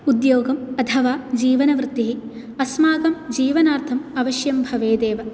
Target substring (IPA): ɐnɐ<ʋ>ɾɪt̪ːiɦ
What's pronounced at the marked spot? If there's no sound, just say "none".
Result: ʋ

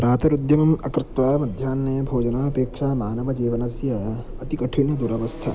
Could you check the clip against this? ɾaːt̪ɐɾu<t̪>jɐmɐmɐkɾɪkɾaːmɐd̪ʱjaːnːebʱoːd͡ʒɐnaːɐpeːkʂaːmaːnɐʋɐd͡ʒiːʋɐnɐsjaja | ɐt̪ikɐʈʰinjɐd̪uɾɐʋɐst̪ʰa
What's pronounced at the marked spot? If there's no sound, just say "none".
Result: d̪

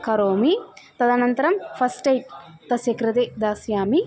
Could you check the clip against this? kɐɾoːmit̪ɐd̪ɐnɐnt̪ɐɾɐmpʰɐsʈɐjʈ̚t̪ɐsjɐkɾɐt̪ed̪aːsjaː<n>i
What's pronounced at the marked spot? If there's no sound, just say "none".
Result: m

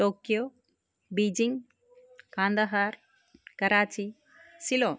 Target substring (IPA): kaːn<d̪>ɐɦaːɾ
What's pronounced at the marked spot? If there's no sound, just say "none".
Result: d̪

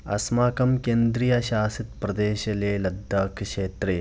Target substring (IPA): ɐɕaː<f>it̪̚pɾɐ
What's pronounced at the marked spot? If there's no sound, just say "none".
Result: s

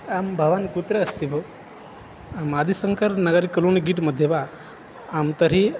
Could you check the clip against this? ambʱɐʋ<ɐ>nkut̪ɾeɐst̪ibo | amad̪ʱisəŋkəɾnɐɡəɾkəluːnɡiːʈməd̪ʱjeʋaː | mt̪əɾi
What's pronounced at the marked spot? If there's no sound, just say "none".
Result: a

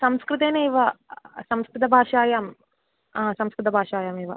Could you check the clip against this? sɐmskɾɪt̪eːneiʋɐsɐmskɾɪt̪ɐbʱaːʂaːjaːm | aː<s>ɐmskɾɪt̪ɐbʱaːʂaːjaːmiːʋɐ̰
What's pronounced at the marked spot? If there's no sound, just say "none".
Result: s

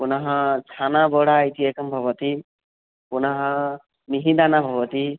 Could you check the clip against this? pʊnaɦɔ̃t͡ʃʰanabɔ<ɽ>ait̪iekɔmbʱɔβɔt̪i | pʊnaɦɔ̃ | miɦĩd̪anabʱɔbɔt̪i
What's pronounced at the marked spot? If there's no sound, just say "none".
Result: ɽ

